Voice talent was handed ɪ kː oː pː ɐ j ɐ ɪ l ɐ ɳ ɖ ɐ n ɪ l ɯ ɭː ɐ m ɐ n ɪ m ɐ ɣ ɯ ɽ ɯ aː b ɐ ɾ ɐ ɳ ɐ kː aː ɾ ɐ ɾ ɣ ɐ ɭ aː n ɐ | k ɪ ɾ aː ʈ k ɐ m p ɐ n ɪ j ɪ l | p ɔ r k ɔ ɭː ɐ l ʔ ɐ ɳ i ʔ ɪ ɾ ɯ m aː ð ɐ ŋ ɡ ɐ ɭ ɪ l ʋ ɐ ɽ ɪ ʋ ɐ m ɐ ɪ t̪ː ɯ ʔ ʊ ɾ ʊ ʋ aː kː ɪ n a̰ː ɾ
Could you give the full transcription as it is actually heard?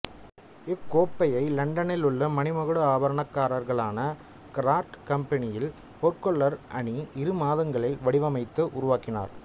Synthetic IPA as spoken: ɪ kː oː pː ɐ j ɐ ɪ l ɐ ɳ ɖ ɐ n ɪ l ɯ ɭː ɐ m ɐ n ɪ m ɐ ɣ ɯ ɽ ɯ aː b ɐ ɾ ɐ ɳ ɐ kː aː ɾ ɐ ɾ ɣ ɐ ɭ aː n ɐ | k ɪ ɾ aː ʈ k ɐ m p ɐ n ɪ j ɪ l | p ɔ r k ɔ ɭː ɐ ɾ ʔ ɐ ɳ i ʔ ɪ ɾ ɯ m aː ð ɐ ŋ ɡ ɐ ɭ ɪ l ʋ ɐ ɽ ɪ ʋ ɐ m ɐ ɪ t̪ː ɯ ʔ ʊ ɾ ʊ ʋ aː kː ɪ n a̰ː ɾ